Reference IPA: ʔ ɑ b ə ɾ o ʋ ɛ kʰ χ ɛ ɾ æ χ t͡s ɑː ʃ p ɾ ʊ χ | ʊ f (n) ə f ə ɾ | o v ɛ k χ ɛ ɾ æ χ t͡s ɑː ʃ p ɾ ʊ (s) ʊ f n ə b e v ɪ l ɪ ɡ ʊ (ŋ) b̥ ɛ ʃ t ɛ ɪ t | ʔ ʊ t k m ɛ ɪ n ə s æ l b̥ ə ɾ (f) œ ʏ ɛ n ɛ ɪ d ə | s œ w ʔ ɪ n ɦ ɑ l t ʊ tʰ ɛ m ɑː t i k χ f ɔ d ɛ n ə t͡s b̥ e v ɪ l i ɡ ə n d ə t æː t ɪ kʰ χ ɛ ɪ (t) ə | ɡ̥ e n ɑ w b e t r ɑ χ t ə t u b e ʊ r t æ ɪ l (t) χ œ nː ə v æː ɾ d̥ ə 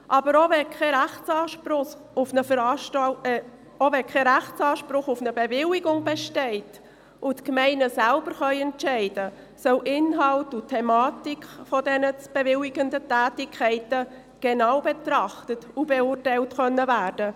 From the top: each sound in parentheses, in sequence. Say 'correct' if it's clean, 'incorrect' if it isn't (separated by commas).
correct, incorrect, correct, incorrect, correct, correct